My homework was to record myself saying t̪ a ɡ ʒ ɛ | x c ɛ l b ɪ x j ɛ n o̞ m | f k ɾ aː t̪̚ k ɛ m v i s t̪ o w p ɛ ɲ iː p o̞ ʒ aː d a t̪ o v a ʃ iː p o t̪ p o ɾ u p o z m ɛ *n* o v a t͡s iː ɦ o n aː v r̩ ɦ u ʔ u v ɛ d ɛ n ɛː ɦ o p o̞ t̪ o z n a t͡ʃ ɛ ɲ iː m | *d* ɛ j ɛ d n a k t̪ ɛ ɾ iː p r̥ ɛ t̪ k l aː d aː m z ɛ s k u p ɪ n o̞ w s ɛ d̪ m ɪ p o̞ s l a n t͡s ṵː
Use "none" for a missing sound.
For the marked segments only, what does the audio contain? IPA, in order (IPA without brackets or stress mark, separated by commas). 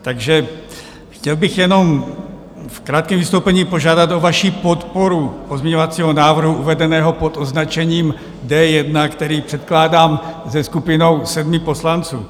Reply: ɲ, d